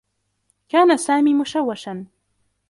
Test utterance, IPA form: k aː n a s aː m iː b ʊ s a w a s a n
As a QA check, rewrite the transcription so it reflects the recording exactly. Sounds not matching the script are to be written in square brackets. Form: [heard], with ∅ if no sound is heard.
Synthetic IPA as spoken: k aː n a s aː m iː [m] ʊ [ʃ] a [wː] a [ʃ] a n